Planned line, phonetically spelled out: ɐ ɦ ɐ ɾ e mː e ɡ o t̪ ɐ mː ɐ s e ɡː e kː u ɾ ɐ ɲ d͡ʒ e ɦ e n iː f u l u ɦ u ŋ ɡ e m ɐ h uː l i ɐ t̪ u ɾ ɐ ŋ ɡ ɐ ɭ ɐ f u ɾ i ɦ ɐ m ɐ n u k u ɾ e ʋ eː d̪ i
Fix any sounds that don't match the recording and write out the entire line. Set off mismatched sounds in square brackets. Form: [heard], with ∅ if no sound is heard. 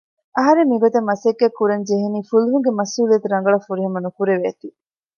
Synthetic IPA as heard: ɐ ɦ ɐ ɾ e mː [i] ɡ o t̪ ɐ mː ɐ s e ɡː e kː u ɾ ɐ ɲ d͡ʒ e ɦ e n iː f u l u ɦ u ŋ ɡ e m ɐ [s] uː l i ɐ t̪ u ɾ ɐ ŋ ɡ ɐ ɭ ɐ f u ɾ i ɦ ɐ m ɐ n u k u ɾ e ʋ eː [t̪] i